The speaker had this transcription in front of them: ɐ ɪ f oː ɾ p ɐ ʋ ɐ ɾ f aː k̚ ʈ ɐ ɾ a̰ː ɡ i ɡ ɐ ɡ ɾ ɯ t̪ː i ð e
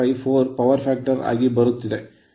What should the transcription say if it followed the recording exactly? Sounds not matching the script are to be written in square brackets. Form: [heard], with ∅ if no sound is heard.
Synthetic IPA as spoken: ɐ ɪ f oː ɾ p ɐ ʋ ɐ ɾ f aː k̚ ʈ ɐ ɾ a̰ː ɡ i [b] ɐ [∅] ɾ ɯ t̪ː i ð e